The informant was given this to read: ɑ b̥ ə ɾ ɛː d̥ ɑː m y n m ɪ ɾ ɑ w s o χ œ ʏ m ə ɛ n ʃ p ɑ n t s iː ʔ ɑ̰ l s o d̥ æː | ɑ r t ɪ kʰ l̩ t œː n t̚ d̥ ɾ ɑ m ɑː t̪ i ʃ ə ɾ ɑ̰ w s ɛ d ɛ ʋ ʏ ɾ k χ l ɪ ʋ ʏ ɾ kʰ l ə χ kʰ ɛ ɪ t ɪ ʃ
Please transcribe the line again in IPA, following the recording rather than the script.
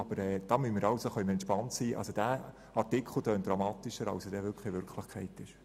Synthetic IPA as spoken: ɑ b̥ ə ɾ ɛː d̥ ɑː m y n m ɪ ɾ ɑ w s o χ œ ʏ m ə ɛ n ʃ p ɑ n t s iː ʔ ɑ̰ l s o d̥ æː | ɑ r t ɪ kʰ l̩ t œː n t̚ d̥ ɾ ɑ m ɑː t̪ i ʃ ə ɾ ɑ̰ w s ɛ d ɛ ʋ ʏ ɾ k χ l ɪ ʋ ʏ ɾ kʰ l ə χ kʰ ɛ ɪ t ɪ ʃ